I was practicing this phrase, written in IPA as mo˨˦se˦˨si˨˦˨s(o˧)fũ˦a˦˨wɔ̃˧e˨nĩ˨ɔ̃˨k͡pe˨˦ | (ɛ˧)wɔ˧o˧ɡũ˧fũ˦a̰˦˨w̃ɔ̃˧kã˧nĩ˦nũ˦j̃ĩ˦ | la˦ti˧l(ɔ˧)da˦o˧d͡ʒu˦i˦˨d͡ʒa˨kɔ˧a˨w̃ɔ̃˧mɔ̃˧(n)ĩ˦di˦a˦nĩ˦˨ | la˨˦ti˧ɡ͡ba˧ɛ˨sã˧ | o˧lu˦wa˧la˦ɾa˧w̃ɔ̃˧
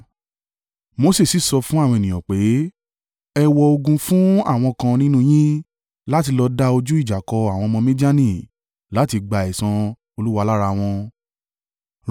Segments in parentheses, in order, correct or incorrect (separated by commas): incorrect, correct, correct, incorrect